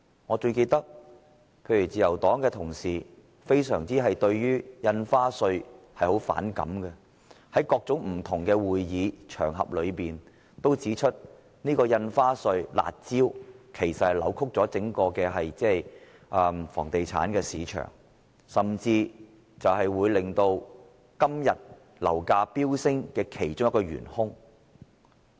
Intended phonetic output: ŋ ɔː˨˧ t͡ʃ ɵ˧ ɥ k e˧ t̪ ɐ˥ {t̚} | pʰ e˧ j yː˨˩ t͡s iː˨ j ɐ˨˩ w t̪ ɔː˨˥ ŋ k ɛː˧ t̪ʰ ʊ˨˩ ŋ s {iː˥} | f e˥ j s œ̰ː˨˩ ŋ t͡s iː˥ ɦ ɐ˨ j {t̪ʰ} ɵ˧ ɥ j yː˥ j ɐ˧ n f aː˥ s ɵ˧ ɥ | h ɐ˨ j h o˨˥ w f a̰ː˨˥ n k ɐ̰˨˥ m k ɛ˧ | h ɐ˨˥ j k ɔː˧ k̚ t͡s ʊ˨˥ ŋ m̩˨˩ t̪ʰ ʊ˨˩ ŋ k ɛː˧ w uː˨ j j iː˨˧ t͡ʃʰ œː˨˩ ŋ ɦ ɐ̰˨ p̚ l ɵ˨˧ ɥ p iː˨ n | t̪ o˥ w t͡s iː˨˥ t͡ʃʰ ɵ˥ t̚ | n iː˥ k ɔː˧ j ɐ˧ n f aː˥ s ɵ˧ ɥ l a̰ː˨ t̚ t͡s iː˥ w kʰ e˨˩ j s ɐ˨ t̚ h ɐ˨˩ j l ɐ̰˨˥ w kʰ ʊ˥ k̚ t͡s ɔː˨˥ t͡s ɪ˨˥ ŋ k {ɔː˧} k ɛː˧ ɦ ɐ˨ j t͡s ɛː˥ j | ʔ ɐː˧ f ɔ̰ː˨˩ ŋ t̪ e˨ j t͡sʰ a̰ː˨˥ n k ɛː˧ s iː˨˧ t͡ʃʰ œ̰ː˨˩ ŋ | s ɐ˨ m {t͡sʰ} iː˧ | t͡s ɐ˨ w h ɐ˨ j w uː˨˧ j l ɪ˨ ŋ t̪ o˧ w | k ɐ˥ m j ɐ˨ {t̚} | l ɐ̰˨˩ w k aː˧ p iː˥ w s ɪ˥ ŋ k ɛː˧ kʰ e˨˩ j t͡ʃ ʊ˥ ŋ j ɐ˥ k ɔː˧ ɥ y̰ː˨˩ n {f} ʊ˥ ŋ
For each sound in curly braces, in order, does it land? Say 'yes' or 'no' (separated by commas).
no, no, no, yes, no, yes, no